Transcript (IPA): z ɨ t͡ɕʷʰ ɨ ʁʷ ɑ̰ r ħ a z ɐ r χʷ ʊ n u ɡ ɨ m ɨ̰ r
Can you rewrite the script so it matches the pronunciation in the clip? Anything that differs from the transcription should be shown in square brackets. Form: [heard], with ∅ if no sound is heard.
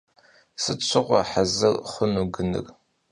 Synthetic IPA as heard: [s] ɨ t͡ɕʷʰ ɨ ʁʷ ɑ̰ [∅] ħ a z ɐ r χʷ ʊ n u ɡ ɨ [n] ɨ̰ r